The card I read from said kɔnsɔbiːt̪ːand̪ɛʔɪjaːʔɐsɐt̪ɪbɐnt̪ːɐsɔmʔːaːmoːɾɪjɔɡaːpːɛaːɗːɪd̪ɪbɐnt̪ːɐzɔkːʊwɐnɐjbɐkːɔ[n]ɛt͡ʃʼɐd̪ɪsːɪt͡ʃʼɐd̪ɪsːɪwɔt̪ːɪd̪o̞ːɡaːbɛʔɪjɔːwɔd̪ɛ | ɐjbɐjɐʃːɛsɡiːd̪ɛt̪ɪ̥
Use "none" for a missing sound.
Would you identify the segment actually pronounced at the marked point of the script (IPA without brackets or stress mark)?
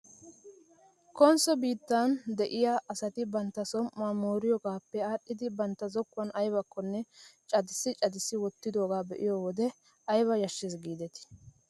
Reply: nː